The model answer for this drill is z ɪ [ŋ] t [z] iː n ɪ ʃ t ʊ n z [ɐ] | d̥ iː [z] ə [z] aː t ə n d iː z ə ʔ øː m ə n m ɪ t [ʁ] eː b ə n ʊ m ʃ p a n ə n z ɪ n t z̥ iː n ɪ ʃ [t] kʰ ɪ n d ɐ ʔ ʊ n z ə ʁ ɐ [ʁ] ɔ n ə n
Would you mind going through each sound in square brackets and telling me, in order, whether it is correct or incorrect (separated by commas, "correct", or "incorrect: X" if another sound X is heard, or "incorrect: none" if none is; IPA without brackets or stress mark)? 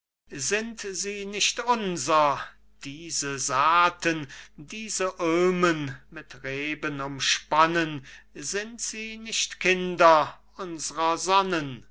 incorrect: n, correct, correct, correct, correct, correct, correct, incorrect: z